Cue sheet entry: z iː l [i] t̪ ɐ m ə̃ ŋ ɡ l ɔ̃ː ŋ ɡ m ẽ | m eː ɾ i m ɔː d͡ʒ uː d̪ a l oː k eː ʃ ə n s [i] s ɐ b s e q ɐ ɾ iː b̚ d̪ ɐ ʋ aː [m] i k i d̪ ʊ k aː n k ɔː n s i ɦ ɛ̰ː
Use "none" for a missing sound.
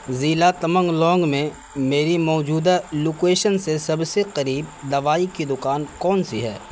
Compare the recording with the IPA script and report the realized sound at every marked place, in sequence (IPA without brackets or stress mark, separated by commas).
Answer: a, e, none